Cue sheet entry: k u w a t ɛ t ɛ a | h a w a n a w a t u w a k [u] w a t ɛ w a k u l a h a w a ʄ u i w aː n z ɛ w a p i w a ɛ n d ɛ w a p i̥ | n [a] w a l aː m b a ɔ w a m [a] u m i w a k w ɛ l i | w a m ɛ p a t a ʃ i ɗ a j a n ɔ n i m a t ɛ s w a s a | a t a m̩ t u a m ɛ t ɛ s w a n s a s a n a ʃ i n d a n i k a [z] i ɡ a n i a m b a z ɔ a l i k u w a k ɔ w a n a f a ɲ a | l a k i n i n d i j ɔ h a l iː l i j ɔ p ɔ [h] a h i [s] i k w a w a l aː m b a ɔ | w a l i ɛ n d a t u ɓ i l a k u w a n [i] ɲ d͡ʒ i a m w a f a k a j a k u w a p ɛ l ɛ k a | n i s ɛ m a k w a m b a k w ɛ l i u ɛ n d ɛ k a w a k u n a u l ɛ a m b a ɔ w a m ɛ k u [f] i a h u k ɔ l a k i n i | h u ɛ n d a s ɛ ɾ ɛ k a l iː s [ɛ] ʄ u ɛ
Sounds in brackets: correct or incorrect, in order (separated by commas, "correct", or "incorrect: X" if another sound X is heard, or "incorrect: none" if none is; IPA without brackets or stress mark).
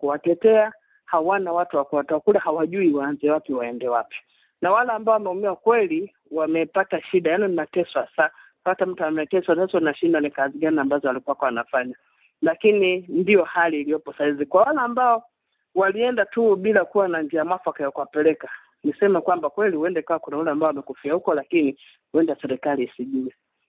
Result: correct, correct, incorrect: ɛ, correct, incorrect: s, incorrect: z, incorrect: a, correct, incorrect: i